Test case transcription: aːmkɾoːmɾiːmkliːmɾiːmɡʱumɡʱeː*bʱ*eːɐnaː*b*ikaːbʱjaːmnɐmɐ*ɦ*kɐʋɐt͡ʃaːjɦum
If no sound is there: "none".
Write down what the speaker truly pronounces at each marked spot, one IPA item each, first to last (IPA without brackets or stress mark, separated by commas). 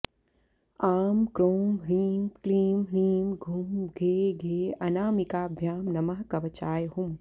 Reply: ɡʱ, m, ɦ